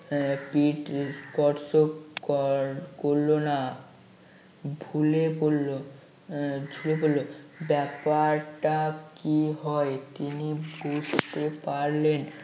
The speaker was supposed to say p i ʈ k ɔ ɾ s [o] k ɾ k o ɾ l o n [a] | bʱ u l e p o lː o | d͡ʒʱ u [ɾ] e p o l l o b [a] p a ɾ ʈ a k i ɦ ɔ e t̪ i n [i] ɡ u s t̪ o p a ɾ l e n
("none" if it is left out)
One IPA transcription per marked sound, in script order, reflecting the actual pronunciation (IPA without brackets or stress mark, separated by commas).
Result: o, a, l, ɛ, i